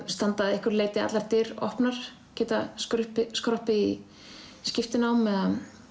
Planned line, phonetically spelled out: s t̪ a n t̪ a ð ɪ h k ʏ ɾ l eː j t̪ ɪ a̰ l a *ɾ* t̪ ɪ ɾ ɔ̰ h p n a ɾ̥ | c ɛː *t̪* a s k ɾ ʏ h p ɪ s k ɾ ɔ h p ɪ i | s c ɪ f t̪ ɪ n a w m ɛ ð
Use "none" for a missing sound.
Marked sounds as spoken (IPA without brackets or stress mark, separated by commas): ɾ, t̪